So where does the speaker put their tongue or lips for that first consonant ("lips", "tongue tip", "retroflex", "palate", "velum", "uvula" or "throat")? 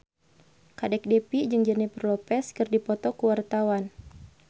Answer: velum